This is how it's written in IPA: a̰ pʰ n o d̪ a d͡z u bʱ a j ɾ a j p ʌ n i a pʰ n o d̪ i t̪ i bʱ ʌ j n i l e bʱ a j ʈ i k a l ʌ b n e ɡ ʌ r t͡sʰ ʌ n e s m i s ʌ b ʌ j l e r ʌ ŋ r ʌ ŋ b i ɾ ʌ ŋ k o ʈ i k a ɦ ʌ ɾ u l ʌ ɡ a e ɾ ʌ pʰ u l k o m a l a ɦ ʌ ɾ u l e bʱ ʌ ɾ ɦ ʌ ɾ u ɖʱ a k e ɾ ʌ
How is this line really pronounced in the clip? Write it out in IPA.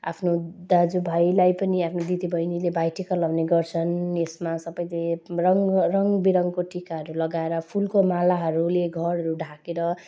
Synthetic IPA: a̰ pʰ n o d̪ a d͡z u bʱ a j l a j p ʌ n i a pʰ n o d̪ i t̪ i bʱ ʌ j n i l e bʱ a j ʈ i k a l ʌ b n e ɡ ʌ r t͡sʰ ʌ n e s m a s ʌ b ʌ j l e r ʌ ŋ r ʌ ŋ b i ɾ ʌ ŋ k o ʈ i k a ɦ ʌ ɾ u l ʌ ɡ a e ɾ ʌ pʰ u l k o m a l a ɦ ʌ ɾ u l e ɡʱ ʌ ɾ ɦ ʌ ɾ u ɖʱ a k e ɾ ʌ